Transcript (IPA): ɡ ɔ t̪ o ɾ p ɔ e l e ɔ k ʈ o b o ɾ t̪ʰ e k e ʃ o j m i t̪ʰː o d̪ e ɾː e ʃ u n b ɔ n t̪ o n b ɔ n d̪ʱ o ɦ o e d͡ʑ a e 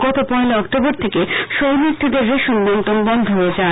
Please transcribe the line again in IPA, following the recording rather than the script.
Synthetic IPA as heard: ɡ ɔ t̪ o p ɔ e l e ɔ k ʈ o b o ɾ t̪ʰ e k e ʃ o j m i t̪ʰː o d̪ e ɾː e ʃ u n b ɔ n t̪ o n b ɔ n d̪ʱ o ɦ o e d͡ʑ a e